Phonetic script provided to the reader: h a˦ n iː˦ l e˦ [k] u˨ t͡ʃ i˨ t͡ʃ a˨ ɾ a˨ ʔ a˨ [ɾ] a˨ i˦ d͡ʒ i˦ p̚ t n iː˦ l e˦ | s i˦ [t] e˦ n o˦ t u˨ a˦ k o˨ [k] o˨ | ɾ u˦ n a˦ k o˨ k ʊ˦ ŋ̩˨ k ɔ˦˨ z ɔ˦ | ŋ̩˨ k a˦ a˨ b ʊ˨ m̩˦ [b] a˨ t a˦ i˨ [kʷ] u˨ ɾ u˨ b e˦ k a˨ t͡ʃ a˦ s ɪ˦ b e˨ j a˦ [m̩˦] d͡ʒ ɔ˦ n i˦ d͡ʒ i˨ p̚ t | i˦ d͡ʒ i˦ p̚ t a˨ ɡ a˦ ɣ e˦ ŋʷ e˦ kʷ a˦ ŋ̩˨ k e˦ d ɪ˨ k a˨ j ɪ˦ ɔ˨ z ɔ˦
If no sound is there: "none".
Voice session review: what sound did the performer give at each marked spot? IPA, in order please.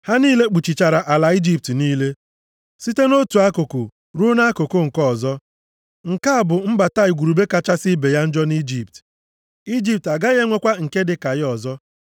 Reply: k͡p, l, t, k, b, ɡʷ, n̩˦

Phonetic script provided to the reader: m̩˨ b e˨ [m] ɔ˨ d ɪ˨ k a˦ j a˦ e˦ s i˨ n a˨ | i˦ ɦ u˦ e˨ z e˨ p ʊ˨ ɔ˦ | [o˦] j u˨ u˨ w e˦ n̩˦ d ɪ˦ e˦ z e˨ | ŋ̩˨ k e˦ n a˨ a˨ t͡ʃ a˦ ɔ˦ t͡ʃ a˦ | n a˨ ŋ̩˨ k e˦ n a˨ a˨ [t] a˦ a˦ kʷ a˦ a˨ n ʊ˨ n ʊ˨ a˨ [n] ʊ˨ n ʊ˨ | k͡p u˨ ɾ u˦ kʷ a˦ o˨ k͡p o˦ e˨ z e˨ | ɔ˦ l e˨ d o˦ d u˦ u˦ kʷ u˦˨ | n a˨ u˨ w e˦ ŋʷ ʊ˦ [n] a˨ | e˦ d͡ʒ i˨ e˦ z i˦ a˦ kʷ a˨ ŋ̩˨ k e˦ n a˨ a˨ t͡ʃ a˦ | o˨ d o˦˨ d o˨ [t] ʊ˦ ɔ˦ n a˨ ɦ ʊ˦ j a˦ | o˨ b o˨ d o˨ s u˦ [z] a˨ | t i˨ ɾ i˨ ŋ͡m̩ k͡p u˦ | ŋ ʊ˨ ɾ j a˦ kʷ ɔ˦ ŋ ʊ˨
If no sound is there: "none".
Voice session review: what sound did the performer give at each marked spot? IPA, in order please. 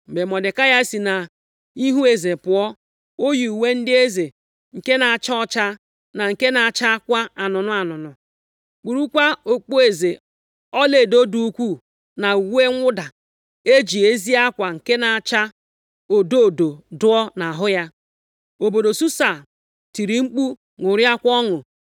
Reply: m, o˦, t͡ʃ, n, d, d, s

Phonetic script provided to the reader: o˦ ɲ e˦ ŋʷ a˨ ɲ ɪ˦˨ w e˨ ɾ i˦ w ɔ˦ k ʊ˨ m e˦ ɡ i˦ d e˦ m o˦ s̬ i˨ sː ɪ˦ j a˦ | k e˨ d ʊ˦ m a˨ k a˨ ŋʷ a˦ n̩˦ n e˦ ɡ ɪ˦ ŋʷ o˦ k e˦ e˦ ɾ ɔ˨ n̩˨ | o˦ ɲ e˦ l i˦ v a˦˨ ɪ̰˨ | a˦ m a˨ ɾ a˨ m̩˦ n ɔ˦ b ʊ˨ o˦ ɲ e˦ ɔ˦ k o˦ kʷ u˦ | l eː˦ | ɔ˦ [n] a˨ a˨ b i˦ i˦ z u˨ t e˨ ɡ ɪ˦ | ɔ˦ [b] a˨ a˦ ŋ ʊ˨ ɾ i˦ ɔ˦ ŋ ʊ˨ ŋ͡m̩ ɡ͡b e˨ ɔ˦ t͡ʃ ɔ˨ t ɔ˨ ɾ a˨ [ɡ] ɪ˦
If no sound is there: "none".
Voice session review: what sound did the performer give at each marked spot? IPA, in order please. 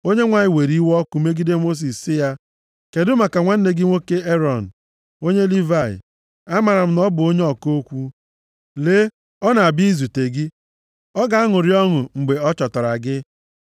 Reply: n, ɡ, ɡ

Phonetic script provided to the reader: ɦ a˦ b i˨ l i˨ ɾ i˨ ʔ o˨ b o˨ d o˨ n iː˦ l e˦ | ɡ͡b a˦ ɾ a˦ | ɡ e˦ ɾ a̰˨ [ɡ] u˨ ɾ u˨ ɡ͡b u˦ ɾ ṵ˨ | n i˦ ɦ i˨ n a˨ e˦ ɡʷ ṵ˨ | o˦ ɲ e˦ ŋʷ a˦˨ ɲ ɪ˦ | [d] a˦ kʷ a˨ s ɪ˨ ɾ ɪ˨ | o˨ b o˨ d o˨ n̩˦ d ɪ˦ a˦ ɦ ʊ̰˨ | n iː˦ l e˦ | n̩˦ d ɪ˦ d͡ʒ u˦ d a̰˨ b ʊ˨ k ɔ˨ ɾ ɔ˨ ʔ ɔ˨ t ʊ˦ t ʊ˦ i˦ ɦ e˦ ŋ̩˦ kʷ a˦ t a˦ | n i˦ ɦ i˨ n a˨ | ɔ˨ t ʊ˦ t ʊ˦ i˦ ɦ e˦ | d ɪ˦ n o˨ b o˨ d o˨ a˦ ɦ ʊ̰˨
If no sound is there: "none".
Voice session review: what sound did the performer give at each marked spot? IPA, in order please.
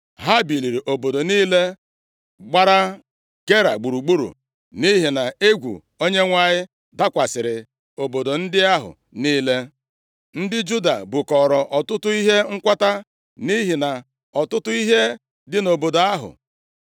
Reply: ɡ͡b, d

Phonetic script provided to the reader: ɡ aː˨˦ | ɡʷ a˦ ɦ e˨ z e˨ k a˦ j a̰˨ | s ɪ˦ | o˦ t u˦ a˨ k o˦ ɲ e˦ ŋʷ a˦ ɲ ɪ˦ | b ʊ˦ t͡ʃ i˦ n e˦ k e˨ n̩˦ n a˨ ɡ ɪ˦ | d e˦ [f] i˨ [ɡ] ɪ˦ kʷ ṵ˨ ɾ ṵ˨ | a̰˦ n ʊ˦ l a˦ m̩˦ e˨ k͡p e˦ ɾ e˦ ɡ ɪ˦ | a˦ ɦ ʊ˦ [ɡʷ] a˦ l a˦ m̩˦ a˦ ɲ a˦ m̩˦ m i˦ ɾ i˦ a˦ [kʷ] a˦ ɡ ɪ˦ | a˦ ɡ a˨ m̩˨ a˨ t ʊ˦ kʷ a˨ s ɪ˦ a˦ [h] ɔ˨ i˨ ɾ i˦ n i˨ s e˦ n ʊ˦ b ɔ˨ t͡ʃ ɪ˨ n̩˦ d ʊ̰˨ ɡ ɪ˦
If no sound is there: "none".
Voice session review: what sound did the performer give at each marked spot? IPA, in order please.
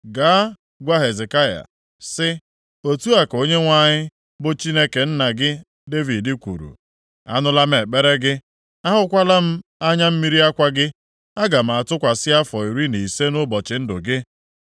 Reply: v, d, kʷ, kʷ, f

